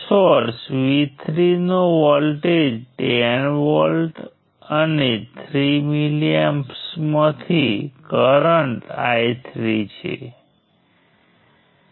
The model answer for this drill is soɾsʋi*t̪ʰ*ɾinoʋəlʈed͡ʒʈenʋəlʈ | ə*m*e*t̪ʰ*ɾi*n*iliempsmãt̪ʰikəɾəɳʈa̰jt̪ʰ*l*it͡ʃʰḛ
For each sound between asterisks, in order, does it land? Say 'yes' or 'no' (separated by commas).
yes, no, yes, no, no